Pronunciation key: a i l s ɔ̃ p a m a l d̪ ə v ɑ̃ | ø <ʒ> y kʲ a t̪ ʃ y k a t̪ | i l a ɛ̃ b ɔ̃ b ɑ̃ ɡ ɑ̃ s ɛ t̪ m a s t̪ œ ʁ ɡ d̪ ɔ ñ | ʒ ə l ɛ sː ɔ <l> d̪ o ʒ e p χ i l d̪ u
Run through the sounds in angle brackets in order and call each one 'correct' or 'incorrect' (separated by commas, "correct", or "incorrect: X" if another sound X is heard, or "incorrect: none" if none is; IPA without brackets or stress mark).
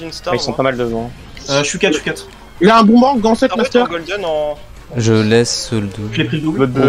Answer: incorrect: ʃ, correct